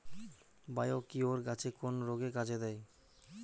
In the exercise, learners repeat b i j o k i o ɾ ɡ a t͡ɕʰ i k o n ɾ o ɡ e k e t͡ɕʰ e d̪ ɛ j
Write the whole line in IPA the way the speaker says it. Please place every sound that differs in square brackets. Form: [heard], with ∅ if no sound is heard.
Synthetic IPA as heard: b [a] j o k i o ɾ ɡ a t͡ɕʰ [e] k o n ɾ o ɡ e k [a] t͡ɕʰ e d̪ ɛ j